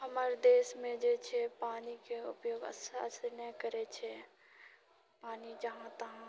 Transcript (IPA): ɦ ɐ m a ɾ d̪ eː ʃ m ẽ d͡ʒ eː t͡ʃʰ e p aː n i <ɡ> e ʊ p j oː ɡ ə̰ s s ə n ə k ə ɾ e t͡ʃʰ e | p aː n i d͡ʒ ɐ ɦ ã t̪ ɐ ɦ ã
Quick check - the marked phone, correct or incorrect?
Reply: incorrect: k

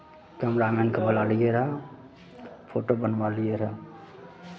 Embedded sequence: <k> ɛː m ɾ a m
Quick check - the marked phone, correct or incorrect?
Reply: correct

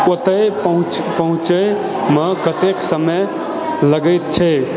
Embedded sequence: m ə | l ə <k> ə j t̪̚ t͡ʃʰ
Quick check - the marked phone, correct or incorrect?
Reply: incorrect: ɡ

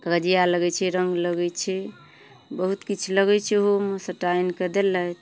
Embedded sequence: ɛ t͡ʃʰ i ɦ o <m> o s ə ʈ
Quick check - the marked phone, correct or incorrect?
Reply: correct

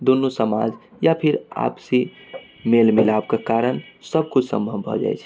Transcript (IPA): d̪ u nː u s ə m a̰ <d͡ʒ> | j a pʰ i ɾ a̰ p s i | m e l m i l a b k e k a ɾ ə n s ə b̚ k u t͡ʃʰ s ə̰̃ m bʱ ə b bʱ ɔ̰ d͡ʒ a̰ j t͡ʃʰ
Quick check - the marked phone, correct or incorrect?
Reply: correct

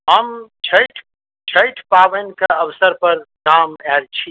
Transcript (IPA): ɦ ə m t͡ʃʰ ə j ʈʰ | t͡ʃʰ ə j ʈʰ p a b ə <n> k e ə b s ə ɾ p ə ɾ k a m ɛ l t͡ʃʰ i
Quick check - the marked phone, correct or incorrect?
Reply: correct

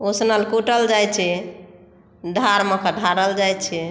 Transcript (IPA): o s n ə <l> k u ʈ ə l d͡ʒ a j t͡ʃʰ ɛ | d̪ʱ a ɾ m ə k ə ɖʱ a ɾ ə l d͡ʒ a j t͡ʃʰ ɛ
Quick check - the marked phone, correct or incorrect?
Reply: correct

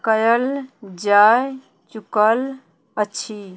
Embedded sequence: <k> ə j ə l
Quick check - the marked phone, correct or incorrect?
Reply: correct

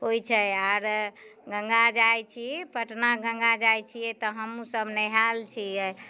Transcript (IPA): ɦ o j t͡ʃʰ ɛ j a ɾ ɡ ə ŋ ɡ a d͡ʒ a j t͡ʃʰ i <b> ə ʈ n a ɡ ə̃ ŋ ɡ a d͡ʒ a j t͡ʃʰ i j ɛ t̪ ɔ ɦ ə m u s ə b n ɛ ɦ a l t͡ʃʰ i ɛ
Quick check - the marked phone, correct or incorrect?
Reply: incorrect: p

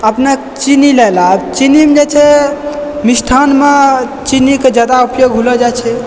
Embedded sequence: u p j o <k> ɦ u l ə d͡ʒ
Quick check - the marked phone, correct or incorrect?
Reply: incorrect: ɡ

